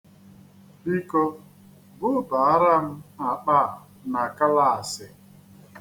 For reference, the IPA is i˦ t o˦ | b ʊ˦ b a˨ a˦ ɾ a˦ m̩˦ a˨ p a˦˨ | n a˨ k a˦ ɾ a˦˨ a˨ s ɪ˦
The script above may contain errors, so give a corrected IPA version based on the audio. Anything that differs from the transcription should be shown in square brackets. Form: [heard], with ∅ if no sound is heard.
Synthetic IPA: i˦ [k] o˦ | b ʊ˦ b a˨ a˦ ɾ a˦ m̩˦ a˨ [k͡p] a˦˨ | n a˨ k a˦ [l] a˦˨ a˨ s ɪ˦

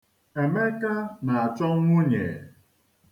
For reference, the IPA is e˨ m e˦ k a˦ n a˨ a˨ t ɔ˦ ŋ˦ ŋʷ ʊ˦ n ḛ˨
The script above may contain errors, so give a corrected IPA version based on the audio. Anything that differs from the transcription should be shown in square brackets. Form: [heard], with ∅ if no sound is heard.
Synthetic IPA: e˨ m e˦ k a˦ n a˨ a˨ [t͡ʃ] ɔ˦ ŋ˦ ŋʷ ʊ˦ [ɲ] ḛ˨

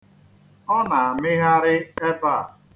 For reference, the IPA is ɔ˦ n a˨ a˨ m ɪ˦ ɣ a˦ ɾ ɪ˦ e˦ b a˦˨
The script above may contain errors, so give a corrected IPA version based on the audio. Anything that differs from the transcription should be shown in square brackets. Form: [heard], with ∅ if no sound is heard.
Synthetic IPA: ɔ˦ n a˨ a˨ m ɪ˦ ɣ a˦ ɾ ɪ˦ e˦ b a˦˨

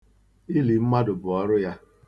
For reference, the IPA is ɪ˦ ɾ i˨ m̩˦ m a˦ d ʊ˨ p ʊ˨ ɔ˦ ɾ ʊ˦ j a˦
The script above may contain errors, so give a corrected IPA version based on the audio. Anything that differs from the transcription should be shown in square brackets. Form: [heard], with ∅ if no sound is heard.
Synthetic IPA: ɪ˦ [l] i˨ m̩˦ m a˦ d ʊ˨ [b] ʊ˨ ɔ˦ ɾ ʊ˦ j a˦

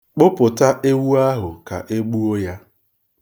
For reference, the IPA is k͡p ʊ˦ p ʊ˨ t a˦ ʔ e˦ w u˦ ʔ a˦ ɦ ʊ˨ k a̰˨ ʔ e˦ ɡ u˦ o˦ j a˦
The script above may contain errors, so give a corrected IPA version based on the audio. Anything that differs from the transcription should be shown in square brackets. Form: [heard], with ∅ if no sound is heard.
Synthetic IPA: k͡p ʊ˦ p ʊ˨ t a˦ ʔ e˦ w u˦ [∅] a˦ ɦ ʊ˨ k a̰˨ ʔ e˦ [ɡ͡b] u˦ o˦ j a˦

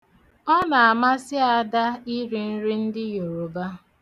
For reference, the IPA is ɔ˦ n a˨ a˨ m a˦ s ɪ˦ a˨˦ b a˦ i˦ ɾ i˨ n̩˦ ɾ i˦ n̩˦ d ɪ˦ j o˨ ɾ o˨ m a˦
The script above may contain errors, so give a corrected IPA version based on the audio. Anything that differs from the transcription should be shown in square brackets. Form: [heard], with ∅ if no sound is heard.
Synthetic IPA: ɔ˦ n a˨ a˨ m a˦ s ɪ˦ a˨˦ [d] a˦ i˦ ɾ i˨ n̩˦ ɾ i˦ n̩˦ d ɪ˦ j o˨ ɾ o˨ [b] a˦

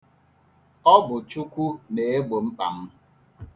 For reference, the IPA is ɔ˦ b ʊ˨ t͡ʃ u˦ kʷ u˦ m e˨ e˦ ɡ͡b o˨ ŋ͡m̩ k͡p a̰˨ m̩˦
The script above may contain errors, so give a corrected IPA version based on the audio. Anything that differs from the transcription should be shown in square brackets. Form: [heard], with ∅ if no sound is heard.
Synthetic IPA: ɔ˦ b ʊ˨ t͡ʃ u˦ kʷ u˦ [n] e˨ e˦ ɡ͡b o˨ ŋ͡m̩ k͡p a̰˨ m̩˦

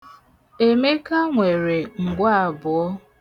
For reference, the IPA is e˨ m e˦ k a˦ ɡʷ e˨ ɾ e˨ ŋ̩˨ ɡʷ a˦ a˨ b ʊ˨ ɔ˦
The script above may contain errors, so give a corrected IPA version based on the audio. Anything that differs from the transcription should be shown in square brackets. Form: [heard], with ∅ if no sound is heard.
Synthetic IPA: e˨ m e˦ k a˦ [ŋʷ] e˨ ɾ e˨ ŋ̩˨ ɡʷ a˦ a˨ b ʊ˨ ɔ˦

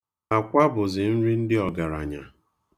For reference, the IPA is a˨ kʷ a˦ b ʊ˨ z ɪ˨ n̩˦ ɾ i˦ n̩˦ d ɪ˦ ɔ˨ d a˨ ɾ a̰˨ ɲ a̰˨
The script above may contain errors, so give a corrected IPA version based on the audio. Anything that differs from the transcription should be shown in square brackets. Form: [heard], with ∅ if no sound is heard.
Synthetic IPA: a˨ kʷ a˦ b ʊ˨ z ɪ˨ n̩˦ ɾ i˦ n̩˦ d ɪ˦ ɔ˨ [ɡ] a˨ ɾ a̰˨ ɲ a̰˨

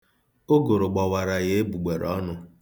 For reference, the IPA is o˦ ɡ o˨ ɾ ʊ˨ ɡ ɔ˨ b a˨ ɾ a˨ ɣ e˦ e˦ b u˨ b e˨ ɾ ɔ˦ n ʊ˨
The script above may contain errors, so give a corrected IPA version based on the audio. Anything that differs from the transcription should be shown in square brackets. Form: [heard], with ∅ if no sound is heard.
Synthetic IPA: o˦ ɡ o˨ ɾ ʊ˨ [ɡ͡b] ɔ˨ [w] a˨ ɾ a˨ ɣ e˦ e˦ b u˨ [ɡ͡b] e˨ ɾ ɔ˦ n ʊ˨

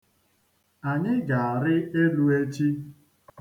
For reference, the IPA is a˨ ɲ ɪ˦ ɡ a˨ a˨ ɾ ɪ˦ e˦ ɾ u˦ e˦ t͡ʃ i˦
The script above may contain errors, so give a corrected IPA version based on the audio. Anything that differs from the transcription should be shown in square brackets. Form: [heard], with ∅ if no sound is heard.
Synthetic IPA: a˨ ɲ ɪ˦ ɡ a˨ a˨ ɾ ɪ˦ e˦ [l] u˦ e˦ t͡ʃ i˦

